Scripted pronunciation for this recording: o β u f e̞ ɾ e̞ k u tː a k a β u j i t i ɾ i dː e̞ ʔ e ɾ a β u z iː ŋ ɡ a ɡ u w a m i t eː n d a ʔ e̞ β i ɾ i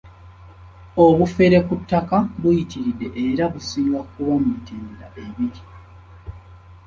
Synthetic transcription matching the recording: o β u f e̞ ɾ e̞ k u tː a k a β u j i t i ɾ i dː e̞ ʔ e ɾ a β u s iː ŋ ɡ a k u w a m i t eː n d a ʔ e̞ β i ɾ i